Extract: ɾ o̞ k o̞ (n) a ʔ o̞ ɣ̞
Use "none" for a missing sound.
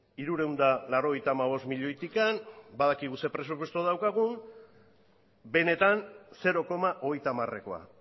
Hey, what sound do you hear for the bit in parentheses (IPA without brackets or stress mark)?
m